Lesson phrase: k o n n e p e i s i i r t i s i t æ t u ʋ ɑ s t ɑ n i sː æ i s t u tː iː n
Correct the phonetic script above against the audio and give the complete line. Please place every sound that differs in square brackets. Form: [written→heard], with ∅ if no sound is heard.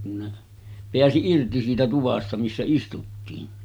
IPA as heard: k [o→u] n n e p e [i→æ] s i i r t i s [i→iː] t æ t u ʋ ɑ s t ɑ [n→m] i sː æ i s t u tː iː n